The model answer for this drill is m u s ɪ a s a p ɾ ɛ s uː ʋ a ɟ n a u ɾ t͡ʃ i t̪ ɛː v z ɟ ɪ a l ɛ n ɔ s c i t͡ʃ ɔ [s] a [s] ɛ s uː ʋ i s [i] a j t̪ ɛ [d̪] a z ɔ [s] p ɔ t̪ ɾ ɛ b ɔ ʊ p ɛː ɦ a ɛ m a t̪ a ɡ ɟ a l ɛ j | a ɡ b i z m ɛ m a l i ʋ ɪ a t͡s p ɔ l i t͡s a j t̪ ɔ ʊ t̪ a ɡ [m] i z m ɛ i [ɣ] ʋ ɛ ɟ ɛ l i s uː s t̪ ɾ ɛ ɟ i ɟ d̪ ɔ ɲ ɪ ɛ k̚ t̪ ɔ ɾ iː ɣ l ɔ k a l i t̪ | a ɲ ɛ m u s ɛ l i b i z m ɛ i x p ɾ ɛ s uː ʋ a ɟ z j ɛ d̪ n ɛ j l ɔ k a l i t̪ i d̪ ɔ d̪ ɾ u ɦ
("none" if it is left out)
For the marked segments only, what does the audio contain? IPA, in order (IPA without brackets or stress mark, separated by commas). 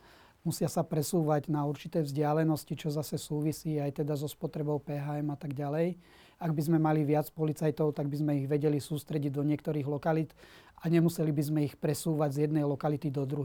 z, s, iː, d̪, s, b, ɣ